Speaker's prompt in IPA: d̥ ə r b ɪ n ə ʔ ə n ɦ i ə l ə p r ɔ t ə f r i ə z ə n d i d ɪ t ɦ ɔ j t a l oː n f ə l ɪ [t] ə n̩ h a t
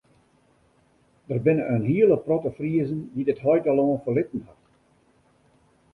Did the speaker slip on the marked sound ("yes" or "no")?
no